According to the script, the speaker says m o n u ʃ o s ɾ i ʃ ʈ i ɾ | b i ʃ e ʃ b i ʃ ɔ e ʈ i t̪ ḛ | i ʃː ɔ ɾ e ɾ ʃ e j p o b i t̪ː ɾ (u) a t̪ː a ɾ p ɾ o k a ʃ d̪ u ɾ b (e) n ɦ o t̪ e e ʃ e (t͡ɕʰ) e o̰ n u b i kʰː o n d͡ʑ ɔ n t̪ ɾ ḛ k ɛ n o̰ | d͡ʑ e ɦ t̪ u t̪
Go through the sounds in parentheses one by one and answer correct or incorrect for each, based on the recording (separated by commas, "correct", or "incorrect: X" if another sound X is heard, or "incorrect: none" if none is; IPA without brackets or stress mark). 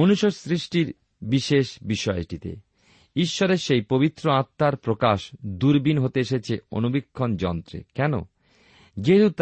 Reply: incorrect: o, incorrect: i, correct